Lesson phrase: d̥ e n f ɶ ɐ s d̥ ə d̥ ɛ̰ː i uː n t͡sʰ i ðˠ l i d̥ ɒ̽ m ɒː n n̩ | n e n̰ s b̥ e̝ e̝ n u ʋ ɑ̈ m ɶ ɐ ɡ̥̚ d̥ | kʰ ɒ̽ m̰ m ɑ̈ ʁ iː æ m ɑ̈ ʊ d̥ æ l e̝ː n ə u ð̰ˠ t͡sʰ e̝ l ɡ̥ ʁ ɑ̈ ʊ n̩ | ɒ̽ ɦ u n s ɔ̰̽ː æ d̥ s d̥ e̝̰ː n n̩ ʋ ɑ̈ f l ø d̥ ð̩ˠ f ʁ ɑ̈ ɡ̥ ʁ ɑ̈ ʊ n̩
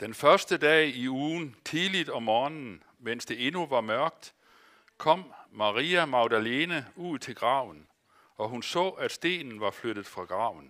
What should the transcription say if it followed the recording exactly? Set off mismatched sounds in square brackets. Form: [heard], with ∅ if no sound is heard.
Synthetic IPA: d̥ e n f ɶ ɐ s d̥ ə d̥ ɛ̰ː i uː n t͡sʰ i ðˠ l i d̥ ɒ̽ m ɒː n n̩ | [m] e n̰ s [d̥] e̝ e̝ n u ʋ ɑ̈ m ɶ ɐ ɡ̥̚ d̥ | kʰ ɒ̽ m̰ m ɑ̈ ʁ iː æ m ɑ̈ ʊ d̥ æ l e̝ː n ə u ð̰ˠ t͡sʰ e̝ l ɡ̥ ʁ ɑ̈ ʊ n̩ | ɒ̽ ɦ u n s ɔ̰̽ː æ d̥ s d̥ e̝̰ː n n̩ ʋ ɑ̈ f l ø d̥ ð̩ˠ f ʁ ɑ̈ ɡ̥ ʁ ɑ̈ ʊ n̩